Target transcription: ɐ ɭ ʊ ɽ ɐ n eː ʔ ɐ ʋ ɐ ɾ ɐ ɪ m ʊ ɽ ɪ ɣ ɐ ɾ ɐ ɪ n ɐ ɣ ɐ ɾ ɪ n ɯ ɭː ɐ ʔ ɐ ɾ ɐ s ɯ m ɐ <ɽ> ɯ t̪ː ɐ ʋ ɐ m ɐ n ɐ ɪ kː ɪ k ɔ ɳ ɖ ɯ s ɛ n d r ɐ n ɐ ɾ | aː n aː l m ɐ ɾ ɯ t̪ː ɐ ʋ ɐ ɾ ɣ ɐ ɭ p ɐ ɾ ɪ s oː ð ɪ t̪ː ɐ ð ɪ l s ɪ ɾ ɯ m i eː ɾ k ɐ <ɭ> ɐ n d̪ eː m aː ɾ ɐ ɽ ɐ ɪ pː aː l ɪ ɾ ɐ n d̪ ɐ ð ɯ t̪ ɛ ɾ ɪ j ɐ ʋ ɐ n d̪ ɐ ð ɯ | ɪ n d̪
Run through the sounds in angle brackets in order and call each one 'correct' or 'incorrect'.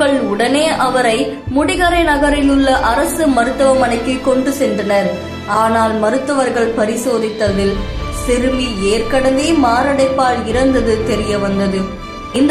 incorrect, incorrect

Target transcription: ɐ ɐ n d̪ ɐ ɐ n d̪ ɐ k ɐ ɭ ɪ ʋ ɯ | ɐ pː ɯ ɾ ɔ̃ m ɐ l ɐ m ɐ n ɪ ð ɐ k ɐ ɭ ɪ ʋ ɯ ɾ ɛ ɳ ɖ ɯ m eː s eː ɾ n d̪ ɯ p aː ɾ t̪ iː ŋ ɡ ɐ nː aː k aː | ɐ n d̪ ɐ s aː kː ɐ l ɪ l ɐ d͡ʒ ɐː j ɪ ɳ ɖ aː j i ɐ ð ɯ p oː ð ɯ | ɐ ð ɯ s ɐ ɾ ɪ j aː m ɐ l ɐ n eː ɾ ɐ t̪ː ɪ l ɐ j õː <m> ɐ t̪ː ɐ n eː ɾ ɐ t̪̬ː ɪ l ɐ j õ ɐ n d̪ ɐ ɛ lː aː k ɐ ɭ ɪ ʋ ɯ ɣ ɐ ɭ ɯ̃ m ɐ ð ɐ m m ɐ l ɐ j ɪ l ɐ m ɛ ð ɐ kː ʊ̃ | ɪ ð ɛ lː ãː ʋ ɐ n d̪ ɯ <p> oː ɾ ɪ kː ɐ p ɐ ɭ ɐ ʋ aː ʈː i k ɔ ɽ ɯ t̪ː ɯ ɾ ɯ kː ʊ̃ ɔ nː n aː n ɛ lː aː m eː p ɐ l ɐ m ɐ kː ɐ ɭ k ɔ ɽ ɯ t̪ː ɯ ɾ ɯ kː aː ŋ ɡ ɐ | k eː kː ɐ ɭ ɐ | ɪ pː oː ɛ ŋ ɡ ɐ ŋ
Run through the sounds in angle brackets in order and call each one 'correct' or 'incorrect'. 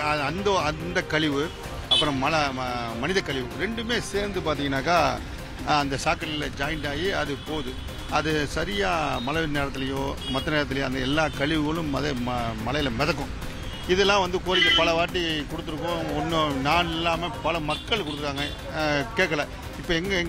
correct, incorrect

